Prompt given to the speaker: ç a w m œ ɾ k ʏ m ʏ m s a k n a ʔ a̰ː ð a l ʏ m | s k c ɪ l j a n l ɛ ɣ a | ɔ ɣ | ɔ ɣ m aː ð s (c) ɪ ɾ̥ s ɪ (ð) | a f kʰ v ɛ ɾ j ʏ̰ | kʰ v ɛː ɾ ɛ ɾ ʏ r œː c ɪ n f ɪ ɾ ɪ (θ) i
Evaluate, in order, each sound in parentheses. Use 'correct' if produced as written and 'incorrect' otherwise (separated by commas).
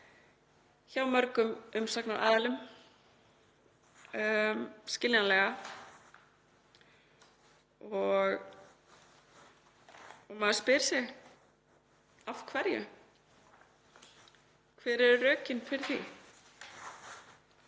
incorrect, incorrect, correct